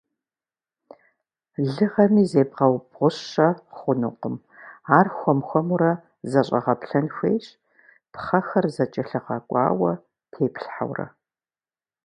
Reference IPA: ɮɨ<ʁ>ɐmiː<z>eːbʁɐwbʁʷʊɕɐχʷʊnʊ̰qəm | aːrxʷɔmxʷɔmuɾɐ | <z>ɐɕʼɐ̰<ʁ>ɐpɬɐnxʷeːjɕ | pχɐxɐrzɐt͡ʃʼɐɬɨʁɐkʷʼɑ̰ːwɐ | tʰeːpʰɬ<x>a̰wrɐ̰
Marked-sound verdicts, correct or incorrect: correct, correct, correct, correct, incorrect

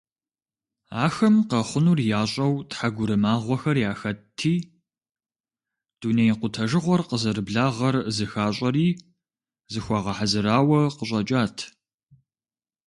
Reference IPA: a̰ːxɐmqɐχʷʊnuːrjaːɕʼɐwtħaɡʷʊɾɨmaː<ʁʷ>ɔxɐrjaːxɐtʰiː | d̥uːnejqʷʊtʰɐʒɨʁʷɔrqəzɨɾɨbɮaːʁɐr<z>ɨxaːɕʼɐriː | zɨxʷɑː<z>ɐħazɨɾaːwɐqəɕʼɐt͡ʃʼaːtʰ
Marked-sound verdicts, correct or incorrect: correct, correct, incorrect

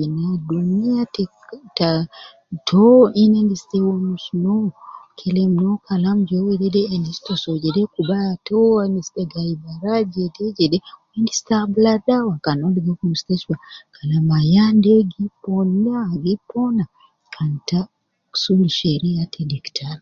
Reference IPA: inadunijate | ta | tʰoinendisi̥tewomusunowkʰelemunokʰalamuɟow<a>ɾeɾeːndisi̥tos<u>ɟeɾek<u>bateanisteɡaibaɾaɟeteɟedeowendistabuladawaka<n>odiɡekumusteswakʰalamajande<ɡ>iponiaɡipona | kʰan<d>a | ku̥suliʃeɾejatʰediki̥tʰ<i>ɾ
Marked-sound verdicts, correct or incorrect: incorrect, incorrect, correct, correct, correct, incorrect, incorrect

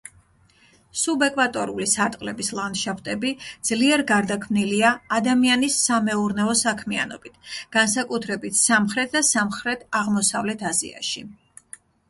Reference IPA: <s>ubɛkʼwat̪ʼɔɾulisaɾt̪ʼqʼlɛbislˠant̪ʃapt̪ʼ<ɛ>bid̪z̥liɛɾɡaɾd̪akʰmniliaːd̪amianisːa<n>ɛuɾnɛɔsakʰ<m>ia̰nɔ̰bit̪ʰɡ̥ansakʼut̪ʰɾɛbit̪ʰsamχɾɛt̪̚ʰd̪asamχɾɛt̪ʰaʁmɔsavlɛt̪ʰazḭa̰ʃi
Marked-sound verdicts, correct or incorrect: correct, correct, incorrect, correct

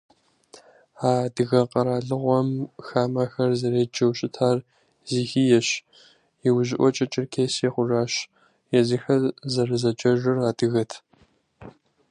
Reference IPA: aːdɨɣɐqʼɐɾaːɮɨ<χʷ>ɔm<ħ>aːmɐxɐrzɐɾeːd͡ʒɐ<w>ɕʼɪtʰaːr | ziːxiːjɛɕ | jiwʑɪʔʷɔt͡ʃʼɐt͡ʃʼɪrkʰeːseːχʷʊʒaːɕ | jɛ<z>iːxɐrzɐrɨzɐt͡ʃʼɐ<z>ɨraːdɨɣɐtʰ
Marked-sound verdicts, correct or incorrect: incorrect, incorrect, correct, correct, incorrect

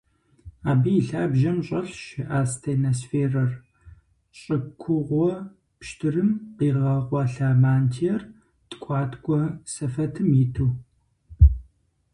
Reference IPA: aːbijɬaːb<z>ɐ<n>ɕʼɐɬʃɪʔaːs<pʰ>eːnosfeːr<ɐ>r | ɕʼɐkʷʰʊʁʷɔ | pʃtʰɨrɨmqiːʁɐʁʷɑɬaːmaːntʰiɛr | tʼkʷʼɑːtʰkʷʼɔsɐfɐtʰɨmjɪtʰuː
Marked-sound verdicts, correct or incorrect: incorrect, incorrect, incorrect, correct

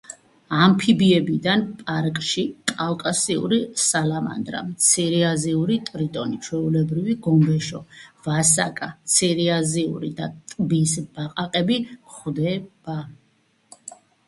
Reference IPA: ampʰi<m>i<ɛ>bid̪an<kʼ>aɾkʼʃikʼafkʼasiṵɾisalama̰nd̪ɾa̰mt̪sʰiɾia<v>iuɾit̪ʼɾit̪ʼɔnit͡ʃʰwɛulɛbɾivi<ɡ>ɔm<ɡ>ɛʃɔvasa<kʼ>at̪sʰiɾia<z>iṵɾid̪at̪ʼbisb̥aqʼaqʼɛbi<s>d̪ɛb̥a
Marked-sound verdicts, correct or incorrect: incorrect, correct, incorrect, incorrect, correct, incorrect, correct, correct, incorrect

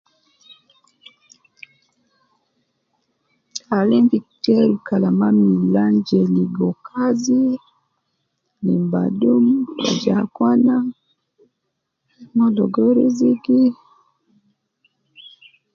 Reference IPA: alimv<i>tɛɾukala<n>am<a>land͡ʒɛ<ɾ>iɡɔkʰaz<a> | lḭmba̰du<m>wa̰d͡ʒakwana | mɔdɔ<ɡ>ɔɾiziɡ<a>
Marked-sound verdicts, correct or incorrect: correct, incorrect, incorrect, incorrect, incorrect, correct, correct, incorrect

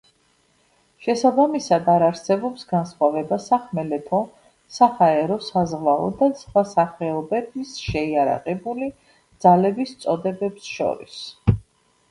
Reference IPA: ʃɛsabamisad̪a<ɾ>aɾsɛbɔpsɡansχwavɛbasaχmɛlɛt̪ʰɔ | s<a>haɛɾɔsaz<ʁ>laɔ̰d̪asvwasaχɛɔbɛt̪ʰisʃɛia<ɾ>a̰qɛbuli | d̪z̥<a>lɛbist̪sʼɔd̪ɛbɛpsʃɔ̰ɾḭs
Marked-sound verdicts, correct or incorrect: correct, correct, correct, correct, correct

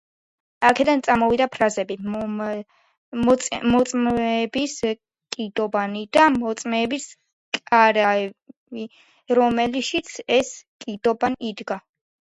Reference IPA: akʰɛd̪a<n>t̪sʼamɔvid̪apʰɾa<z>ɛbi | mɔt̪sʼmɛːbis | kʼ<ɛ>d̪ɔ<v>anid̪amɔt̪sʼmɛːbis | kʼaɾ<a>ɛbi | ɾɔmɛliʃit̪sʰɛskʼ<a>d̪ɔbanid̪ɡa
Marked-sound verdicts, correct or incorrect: correct, correct, incorrect, incorrect, correct, incorrect

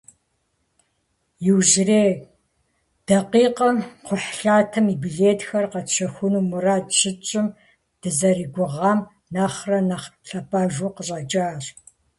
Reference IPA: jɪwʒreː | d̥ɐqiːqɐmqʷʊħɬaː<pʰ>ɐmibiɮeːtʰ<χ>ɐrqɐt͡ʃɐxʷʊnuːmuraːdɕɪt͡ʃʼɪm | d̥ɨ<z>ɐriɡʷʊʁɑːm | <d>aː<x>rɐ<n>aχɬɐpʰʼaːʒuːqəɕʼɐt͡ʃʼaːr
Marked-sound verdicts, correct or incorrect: incorrect, incorrect, correct, incorrect, incorrect, correct

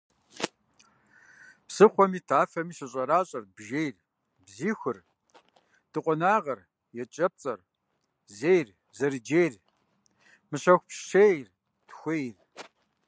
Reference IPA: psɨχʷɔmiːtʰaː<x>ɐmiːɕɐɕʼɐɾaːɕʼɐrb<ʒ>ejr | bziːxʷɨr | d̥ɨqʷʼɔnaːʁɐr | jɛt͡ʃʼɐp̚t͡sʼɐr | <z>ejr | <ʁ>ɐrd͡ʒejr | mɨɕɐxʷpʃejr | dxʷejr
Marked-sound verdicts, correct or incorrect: incorrect, correct, correct, incorrect

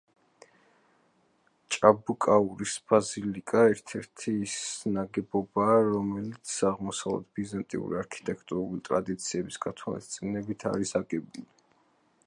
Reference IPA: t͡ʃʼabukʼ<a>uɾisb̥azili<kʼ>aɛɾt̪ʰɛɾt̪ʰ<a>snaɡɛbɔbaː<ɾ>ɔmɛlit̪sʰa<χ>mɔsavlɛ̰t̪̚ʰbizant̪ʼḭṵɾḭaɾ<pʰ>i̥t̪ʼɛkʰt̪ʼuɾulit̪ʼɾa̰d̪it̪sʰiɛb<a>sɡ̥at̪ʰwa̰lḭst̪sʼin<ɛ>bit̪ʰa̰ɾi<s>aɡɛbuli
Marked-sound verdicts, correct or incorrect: correct, correct, incorrect, correct, incorrect, incorrect, incorrect, correct, correct

